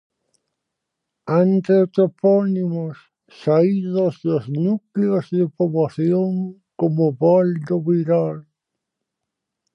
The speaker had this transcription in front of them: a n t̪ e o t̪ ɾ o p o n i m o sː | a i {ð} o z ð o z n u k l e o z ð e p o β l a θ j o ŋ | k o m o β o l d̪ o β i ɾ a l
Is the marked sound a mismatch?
no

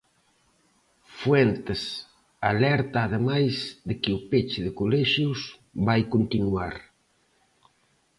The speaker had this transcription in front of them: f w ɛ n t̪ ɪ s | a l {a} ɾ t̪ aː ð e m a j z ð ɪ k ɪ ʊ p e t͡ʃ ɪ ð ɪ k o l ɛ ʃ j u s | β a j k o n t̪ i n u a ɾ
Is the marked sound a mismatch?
yes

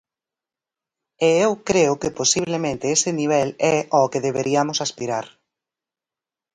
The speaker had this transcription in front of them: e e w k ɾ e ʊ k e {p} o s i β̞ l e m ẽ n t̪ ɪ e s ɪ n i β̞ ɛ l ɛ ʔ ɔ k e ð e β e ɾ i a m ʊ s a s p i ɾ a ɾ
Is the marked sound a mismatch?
no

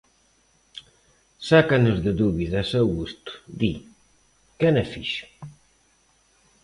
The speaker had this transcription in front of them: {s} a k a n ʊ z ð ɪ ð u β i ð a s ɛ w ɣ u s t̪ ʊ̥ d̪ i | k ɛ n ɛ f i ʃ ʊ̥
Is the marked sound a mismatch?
no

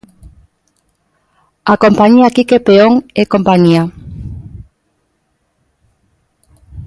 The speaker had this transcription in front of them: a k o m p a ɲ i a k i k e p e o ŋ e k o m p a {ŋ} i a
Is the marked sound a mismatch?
yes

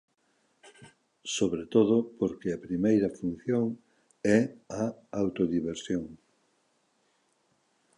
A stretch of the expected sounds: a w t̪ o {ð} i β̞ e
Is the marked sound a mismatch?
no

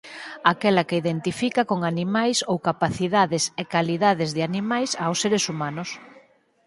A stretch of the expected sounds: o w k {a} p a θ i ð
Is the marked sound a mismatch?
no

